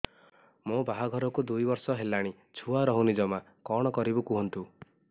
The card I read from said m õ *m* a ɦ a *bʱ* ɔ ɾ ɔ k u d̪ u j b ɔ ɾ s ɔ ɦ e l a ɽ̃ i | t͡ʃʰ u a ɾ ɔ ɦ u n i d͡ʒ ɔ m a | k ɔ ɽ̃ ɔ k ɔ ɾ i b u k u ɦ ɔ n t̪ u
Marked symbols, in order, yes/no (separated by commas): no, no